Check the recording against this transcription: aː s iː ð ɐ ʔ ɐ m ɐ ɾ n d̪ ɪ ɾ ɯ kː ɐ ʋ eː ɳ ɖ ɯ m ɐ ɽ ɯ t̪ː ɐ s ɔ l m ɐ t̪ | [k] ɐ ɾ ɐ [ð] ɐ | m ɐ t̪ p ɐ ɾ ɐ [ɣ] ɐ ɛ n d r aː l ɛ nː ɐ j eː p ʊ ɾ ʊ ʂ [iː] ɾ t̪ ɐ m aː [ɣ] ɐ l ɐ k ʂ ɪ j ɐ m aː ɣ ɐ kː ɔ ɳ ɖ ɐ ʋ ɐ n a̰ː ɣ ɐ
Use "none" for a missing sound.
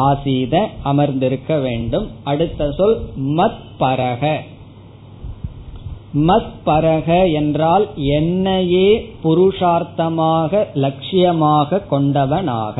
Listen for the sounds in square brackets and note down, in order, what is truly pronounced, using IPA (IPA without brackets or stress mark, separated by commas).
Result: p, ɣ, ɣ, aː, ɣ